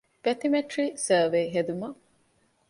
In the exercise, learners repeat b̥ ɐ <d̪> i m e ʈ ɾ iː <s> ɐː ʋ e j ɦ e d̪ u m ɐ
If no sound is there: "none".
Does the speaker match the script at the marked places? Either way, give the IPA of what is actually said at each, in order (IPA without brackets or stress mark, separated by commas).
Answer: t̪, s